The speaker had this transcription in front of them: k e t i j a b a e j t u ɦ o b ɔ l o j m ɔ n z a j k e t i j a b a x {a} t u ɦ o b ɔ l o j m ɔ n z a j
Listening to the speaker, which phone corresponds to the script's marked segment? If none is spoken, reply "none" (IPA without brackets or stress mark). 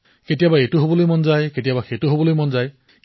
e